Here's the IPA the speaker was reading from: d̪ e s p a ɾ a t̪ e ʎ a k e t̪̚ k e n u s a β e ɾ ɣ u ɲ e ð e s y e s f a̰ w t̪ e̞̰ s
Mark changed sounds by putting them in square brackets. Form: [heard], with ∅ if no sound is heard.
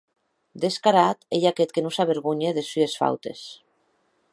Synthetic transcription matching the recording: d̪ e s [k] a ɾ a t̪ e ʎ a k e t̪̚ k e n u s a β e ɾ ɣ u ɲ e ð e s y e s f a̰ w t̪ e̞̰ s